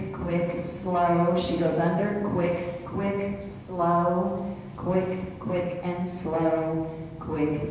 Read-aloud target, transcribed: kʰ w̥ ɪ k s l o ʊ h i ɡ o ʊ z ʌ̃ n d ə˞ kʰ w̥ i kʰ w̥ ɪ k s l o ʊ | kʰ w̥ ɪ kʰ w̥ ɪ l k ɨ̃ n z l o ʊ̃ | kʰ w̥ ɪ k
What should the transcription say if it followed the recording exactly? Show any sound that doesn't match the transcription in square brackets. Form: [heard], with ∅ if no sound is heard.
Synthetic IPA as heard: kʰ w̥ ɪ k s l o ʊ [ʃ] i ɡ o ʊ z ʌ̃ n d ə˞ kʰ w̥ [ɪ] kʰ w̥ ɪ k s l o ʊ | kʰ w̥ ɪ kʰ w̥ ɪ [∅] k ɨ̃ n [s] l o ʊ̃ | kʰ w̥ ɪ k